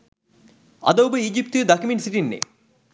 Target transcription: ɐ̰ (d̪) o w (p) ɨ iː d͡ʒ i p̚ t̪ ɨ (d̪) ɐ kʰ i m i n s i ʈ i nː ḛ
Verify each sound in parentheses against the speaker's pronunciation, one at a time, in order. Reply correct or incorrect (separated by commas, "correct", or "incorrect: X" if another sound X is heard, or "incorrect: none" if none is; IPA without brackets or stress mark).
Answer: correct, incorrect: b, correct